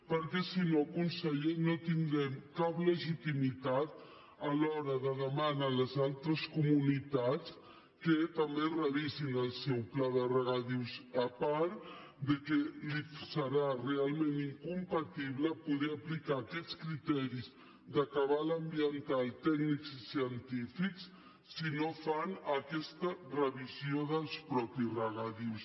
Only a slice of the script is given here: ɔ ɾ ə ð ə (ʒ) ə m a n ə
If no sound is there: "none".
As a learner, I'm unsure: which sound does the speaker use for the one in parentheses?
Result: ð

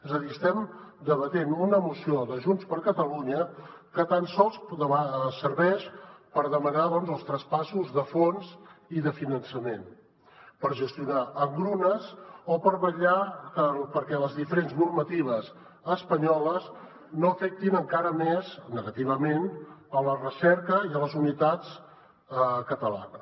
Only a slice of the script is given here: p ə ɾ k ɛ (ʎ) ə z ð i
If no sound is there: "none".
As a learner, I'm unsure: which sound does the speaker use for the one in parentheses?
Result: l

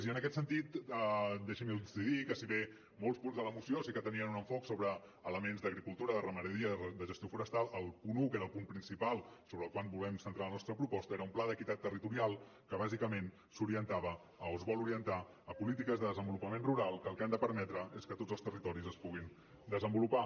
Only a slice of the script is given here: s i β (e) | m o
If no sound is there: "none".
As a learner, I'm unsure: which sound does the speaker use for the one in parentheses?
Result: e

